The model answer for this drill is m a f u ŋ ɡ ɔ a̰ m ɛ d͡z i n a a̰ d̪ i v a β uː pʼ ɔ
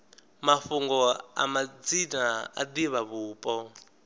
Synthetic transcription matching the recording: m a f u ŋ ɡ ɔ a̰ m a d͡z i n a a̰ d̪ i β a β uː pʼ ɔ